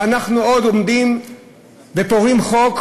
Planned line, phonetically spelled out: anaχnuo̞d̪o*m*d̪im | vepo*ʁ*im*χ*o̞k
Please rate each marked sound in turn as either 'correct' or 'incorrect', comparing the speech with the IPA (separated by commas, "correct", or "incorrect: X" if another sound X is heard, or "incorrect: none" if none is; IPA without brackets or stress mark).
correct, correct, correct